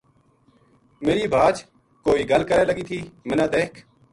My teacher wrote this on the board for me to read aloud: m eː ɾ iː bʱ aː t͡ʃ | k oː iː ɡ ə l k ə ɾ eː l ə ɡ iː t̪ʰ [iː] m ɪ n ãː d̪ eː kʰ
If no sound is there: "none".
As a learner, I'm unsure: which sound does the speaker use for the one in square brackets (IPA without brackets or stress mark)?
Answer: iː